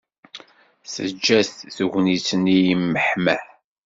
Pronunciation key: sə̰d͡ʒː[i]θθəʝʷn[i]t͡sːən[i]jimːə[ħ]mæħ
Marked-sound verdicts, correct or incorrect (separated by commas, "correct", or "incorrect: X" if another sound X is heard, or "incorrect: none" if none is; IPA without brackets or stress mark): incorrect: æ, correct, correct, correct